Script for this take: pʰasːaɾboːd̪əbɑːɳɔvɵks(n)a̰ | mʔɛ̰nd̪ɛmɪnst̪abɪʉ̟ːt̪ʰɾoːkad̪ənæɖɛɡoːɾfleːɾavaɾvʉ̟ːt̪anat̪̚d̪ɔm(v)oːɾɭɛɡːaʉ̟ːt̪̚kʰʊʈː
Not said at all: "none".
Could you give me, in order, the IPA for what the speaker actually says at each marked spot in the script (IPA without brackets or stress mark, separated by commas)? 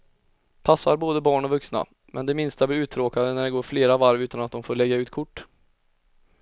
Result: n, f